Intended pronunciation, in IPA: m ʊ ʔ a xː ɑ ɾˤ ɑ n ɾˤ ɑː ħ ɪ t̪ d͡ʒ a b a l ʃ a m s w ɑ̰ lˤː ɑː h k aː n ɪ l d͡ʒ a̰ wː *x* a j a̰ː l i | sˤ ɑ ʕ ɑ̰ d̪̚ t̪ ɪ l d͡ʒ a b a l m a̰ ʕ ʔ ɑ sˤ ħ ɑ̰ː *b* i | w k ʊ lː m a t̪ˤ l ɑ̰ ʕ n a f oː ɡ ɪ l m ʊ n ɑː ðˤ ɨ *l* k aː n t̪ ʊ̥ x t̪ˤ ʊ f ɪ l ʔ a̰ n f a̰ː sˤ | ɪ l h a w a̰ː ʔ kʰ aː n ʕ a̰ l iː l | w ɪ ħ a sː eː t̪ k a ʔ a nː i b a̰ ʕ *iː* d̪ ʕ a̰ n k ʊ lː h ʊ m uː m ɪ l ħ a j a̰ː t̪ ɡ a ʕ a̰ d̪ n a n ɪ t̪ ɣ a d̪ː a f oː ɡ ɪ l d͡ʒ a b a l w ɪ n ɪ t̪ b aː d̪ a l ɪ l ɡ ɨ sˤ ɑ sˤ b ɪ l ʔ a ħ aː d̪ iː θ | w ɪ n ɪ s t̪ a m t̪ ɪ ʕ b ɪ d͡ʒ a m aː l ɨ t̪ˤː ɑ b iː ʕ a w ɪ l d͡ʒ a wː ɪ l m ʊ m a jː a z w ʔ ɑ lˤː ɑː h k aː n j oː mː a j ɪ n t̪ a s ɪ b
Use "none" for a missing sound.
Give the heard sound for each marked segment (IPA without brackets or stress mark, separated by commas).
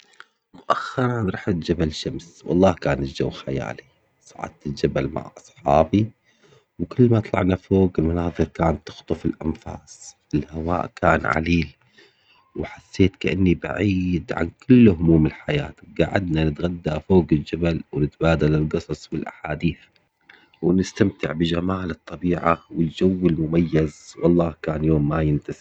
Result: x, b, ɾ, iː